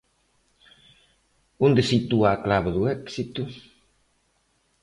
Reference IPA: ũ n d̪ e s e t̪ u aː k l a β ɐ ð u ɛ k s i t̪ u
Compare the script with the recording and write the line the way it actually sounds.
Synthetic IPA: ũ n d̪ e s i t̪ u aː k l a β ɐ ð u ɛ k s i t̪ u